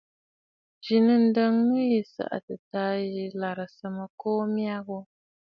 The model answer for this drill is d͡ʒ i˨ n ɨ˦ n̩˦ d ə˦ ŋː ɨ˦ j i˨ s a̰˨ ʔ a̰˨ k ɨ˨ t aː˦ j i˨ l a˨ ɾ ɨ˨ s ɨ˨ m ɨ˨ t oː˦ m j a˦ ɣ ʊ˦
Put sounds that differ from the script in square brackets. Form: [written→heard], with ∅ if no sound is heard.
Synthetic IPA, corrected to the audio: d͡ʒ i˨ n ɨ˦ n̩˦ d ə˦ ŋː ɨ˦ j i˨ s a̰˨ ʔ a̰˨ [k→t] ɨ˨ t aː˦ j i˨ l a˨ ɾ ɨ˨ s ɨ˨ m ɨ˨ [t→k] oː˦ m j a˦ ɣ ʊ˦